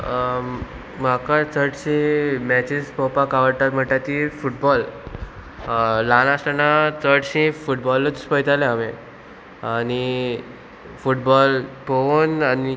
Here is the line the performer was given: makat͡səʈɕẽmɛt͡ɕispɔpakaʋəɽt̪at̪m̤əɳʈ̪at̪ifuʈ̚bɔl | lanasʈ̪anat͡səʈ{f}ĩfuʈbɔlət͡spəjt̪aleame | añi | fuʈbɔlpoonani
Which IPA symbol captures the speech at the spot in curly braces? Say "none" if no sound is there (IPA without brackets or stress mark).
ɕ